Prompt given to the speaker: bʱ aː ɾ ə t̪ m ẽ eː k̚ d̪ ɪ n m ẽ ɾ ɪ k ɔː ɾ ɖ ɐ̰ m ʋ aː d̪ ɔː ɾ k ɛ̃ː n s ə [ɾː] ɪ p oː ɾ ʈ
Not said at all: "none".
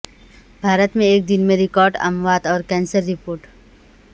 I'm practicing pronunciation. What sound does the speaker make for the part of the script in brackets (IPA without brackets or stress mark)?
ɾː